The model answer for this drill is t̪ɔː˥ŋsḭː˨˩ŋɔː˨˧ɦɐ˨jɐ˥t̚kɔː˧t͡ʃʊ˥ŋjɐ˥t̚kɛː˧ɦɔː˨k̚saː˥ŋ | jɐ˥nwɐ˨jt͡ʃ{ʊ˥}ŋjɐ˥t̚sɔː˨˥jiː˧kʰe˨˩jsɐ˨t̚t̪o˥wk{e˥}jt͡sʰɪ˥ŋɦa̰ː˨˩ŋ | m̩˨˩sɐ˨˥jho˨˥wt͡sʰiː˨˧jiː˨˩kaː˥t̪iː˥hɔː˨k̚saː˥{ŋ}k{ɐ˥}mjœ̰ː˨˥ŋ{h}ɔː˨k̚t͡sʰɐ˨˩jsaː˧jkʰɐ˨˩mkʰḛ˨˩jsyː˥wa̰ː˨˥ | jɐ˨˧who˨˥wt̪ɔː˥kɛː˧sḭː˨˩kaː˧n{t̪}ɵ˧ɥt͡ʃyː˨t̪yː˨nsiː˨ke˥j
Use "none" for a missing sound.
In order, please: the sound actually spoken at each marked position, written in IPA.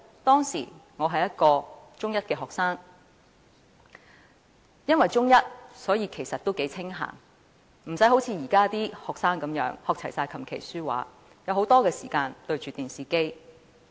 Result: ʊ˥, e˨˥, ŋ, ɐ˨˥, h, t̪

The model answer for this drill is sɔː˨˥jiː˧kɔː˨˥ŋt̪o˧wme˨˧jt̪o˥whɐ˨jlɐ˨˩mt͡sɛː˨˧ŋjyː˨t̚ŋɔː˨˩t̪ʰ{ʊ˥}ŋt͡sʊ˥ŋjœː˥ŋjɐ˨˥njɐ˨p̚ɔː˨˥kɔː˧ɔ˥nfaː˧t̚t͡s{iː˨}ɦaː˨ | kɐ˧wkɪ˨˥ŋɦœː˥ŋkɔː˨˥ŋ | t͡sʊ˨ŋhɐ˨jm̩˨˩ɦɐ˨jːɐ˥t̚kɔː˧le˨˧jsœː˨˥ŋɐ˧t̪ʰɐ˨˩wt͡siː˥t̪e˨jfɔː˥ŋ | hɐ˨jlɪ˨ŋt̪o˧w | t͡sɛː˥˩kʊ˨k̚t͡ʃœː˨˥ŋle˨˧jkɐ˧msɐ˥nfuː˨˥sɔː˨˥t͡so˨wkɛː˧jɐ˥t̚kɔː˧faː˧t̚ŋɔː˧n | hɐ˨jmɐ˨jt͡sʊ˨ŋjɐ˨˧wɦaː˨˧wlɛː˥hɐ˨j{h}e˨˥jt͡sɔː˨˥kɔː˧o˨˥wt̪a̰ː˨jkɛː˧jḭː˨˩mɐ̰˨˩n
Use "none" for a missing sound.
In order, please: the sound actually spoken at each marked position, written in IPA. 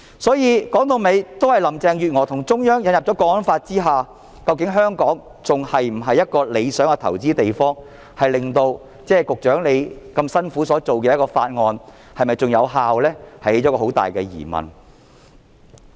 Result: ʊ˨˩, iː˥, h

